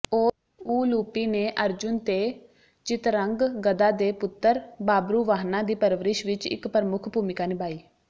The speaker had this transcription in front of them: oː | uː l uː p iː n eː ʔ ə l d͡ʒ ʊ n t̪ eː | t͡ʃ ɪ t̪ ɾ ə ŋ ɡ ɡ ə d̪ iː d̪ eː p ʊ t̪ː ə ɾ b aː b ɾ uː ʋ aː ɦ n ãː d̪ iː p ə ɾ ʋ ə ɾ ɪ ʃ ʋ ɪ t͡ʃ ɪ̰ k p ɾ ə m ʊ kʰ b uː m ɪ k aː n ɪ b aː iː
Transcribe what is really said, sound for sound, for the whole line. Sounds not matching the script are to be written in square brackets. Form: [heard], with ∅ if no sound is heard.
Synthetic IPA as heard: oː | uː l uː p iː n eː ʔ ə [ɾ] d͡ʒ ʊ n t̪ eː | t͡ʃ ɪ t̪ ɾ ə ŋ ɡ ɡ ə d̪ [aː] d̪ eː p ʊ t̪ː ə ɾ b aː b ɾ uː ʋ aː ɦ n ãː d̪ iː p ə ɾ ʋ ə ɾ ɪ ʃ ʋ ɪ t͡ʃ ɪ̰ k p ɾ ə m ʊ kʰ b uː m ɪ k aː n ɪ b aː iː